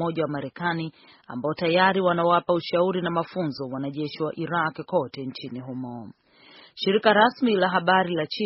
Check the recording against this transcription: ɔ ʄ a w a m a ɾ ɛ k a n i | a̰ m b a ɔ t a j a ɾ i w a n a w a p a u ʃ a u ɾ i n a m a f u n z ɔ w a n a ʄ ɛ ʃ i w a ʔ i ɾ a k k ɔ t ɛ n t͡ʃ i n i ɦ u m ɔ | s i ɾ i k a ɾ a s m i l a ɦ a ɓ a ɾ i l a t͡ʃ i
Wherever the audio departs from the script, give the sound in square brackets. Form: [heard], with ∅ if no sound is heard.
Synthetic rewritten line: ɔ ʄ a w a m a ɾ ɛ k a n i | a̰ m b a ɔ t a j a ɾ i w a n a w a p a u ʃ a u ɾ i n a m a f u n z ɔ w a n a ʄ ɛ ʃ i w a ʔ i ɾ a k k ɔ t ɛ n t͡ʃ i n i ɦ u m ɔ | [ʃ] i ɾ i k a ɾ a s m i l a ɦ a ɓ a ɾ i l a t͡ʃ i